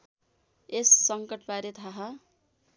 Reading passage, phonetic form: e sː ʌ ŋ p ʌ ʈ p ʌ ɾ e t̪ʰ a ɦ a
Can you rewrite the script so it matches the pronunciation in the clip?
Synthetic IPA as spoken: e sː ʌ ŋ k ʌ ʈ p a ɾ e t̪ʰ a ɦ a